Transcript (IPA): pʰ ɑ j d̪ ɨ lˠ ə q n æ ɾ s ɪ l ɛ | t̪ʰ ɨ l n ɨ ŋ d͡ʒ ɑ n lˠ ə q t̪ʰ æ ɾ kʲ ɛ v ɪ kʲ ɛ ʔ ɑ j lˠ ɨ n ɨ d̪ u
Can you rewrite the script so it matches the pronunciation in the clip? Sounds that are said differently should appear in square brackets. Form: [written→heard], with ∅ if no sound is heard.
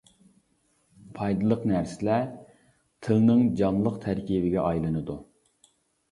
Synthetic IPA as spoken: pʰ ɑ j d̪ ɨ lˠ ə q n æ ɾ s ɪ l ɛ | t̪ʰ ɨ l n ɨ ŋ d͡ʒ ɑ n lˠ ə q t̪ʰ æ ɾ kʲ [ɛ→i] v ɪ [kʲ→ɡʲ] ɛ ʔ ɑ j lˠ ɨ n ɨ d̪ u